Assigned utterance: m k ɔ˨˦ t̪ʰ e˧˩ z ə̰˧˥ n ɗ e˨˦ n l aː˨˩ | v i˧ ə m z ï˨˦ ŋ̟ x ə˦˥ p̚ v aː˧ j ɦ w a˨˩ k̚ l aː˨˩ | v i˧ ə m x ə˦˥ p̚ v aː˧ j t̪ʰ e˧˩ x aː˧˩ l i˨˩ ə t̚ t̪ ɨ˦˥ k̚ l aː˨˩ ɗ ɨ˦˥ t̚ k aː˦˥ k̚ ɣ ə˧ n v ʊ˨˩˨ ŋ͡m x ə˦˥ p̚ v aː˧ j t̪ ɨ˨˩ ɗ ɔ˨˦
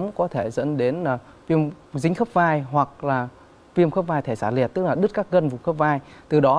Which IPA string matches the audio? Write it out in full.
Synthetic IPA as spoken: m k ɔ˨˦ t̪ʰ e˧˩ z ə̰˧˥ n ɗ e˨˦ n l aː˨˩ | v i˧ ə m z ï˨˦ ŋ̟ x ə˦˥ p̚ v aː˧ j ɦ w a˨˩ k̚ l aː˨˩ | v i˧ ə m x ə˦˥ p̚ v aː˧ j t̪ʰ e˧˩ s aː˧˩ l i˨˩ ə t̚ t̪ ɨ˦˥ k̚ l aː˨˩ ɗ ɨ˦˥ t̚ k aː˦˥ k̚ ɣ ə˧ n v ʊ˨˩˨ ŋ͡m x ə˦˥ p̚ v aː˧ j t̪ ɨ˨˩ ɗ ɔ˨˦